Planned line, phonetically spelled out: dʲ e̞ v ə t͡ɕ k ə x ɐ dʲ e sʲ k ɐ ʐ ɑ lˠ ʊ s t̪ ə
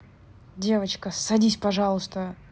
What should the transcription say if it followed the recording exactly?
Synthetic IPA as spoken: dʲ e̞ v ə t͡ɕ k ə s ɐ dʲ i sʲ p ɐ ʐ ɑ lˠ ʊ s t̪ ə